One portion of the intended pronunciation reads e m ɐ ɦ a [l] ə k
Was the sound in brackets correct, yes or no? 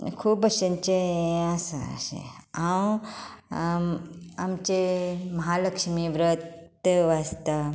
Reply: yes